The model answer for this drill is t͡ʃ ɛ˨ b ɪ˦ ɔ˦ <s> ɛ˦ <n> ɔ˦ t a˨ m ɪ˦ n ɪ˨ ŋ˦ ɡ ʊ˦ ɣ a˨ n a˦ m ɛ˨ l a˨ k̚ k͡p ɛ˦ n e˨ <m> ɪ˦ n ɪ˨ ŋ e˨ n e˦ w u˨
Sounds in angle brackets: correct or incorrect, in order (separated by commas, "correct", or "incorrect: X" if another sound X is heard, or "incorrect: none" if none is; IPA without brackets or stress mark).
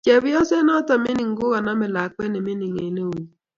correct, correct, correct